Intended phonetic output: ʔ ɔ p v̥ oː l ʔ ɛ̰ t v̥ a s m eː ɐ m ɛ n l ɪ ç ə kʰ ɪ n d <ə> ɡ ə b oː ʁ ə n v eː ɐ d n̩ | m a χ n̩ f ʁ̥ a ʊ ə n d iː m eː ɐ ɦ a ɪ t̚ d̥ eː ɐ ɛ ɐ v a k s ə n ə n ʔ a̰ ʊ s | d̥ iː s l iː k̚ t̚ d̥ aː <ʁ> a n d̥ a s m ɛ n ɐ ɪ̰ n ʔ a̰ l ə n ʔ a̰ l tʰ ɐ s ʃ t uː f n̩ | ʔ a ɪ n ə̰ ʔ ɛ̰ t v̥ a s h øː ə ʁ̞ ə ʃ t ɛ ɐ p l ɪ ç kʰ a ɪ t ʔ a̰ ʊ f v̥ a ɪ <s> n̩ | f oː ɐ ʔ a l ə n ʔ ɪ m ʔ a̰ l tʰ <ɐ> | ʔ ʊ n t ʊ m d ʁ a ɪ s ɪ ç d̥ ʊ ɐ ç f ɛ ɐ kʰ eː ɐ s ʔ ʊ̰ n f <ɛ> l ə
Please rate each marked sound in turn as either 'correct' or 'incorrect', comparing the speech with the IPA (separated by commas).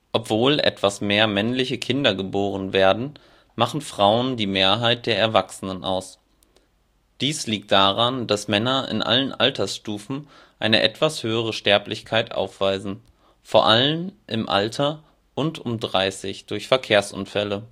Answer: incorrect, correct, incorrect, correct, correct